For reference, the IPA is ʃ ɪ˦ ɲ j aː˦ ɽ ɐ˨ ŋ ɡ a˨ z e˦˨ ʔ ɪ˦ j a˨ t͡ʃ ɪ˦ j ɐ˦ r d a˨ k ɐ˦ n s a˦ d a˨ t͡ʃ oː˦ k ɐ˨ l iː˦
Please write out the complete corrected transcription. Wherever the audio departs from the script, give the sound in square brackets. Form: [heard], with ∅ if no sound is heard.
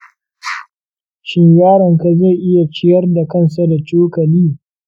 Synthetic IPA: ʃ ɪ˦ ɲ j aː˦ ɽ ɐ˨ ŋ [k] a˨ z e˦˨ ʔ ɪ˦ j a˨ t͡ʃ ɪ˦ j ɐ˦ r d a˨ k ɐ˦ n s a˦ d a˨ t͡ʃ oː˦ k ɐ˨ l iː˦